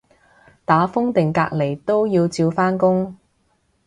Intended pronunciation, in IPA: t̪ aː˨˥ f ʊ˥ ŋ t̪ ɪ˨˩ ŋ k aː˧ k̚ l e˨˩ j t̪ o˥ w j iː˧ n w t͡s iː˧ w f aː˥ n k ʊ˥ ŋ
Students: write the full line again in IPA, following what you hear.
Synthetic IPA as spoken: t̪ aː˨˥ f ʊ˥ ŋ t̪ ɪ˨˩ ŋ k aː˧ k̚ l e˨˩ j t̪ o˥ w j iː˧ w t͡s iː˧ w f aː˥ n k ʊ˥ ŋ